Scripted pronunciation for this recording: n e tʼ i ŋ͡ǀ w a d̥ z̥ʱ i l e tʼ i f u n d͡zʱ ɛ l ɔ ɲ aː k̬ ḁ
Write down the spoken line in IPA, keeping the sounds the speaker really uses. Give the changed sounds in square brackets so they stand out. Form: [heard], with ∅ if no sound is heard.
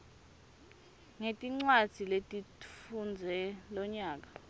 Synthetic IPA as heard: [ŋ] e tʼ i ŋ͡ǀ w a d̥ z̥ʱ i l e tʼ i f u n d͡zʱ ɛ l ɔ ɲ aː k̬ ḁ